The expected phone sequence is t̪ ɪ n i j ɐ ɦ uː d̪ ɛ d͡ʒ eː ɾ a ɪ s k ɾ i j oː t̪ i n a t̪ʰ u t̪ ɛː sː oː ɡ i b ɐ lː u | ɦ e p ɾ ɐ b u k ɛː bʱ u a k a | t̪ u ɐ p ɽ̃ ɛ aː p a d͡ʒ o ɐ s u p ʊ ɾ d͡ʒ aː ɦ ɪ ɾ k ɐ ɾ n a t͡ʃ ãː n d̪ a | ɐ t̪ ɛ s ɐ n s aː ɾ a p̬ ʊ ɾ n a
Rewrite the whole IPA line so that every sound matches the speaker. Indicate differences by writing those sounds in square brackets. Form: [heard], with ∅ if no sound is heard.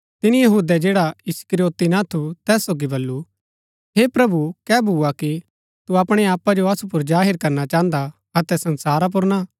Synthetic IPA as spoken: t̪ ɪ n i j ɐ ɦ uː d̪ ɛ d͡ʒ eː [ɽ] a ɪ s k ɾ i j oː t̪ i n a t̪ʰ u t̪ ɛː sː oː ɡ i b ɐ lː u | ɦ e p ɾ ɐ b u k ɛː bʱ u a k [i] | t̪ u ɐ p ɽ̃ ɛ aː p a d͡ʒ o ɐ s u p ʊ ɾ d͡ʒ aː ɦ ɪ ɾ k ɐ ɾ n a t͡ʃ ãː n d̪ a | ɐ t̪ ɛ s ɐ n s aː ɾ a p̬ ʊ ɾ n a